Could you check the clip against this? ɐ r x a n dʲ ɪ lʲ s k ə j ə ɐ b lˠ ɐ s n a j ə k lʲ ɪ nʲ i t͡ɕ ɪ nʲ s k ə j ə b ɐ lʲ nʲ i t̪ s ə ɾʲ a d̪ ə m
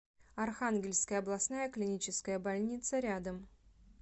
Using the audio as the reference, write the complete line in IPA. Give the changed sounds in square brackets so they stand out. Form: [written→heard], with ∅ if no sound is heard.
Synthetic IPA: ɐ r x a n [dʲ→ɡʲ] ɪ lʲ s k ə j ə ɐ b lˠ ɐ s n a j ə k lʲ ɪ nʲ i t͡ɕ ɪ [nʲ→∅] s k ə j ə b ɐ lʲ nʲ i t̪ s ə ɾʲ a d̪ ə m